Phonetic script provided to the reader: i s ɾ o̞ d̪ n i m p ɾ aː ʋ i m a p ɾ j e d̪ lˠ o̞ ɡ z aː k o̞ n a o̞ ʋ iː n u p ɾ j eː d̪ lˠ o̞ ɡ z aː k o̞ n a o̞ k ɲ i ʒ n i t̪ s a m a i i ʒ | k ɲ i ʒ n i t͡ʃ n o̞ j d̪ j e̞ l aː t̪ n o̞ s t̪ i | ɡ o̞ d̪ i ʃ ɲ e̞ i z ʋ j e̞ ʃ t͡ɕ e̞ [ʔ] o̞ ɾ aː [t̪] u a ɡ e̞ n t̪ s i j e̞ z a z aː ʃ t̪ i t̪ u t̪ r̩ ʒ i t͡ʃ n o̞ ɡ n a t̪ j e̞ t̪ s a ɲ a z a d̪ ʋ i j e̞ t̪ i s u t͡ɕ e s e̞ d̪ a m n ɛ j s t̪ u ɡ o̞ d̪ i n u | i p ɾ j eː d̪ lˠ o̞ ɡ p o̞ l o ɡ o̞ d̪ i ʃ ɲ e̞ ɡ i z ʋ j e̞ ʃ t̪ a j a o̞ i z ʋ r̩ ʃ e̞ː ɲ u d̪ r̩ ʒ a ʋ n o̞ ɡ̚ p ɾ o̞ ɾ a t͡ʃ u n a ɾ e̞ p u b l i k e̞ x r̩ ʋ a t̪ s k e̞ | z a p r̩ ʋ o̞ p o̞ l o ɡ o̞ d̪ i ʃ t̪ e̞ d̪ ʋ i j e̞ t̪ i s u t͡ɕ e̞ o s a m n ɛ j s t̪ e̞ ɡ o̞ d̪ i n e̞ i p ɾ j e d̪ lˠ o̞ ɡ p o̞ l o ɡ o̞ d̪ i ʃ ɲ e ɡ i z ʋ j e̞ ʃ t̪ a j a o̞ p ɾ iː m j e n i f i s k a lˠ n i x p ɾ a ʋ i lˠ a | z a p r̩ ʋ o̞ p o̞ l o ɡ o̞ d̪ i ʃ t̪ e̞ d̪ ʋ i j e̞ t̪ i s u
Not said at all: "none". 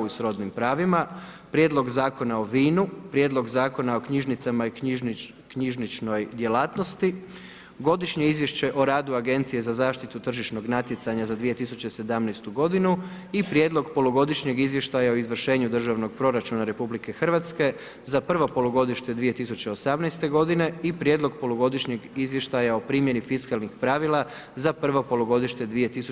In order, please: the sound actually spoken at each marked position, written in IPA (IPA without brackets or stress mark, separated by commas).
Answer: ʔ, d̪